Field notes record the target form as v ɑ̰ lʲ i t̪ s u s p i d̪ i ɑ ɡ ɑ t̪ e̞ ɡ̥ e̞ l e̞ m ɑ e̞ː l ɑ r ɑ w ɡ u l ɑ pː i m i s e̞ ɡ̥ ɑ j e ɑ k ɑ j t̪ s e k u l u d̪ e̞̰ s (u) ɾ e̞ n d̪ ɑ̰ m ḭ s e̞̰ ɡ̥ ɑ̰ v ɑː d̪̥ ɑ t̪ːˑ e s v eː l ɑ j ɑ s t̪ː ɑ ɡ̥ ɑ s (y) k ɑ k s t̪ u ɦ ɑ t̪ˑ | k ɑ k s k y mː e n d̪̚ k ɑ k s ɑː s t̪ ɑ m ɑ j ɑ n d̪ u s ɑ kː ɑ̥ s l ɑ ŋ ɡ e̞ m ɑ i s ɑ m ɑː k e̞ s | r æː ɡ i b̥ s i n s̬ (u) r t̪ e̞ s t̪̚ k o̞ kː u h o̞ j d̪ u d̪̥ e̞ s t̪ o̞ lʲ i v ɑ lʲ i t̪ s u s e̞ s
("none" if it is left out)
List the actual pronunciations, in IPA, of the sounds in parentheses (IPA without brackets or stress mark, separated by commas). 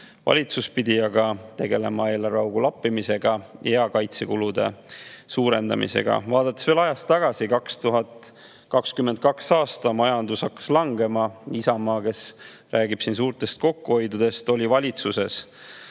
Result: uː, i, uː